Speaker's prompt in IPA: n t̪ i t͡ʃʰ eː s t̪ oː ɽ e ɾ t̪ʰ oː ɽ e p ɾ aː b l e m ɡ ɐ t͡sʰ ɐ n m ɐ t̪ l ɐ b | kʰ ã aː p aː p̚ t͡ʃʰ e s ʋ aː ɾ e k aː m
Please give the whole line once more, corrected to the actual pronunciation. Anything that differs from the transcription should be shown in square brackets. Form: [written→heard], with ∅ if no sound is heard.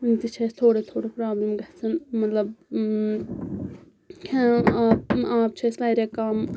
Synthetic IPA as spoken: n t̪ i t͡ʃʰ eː s [t̪→t̪ʰ] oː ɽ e [ɾ→∅] t̪ʰ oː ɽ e p ɾ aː b l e m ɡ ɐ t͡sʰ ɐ n m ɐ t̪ l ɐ b | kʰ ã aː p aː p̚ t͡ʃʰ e s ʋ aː ɾ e k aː m